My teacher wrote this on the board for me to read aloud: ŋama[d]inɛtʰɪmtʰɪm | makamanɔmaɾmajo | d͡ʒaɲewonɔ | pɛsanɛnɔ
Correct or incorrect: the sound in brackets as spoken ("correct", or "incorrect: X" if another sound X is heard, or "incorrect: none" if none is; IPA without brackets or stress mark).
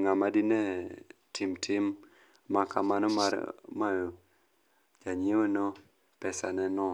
correct